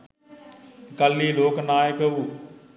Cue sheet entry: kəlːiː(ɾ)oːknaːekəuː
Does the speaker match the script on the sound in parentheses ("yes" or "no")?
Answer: no